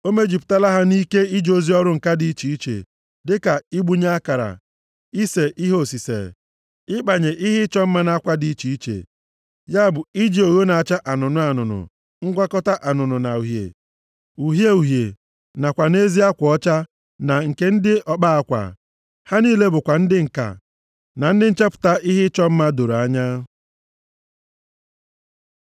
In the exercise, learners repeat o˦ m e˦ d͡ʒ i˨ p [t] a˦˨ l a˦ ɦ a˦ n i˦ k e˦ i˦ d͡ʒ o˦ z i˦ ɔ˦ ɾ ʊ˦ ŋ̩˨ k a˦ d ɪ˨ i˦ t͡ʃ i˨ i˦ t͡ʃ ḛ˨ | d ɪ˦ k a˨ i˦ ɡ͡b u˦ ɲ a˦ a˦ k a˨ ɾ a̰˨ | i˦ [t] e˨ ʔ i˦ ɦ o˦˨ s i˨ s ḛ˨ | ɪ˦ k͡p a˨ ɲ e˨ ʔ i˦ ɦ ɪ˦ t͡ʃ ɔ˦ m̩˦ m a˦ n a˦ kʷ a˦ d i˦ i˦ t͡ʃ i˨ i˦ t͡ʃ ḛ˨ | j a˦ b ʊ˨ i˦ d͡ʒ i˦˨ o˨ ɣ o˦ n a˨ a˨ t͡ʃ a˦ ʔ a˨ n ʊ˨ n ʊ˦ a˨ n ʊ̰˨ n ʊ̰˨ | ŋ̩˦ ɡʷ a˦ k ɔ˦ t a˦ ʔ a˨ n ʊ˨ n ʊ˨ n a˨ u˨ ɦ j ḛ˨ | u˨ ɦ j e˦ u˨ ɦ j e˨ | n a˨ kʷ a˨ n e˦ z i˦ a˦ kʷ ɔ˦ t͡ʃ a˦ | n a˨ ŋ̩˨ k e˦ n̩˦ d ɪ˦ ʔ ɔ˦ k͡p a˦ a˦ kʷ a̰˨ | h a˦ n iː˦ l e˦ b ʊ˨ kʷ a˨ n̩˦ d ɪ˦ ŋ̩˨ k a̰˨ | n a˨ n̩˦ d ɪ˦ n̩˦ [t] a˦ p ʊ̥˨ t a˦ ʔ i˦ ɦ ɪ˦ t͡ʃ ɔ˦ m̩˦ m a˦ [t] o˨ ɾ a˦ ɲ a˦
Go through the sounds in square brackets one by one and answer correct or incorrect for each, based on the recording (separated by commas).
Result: correct, incorrect, incorrect, incorrect